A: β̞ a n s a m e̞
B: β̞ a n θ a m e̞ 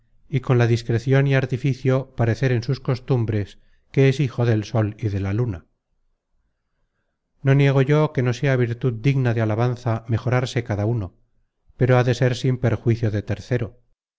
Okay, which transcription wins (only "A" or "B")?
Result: B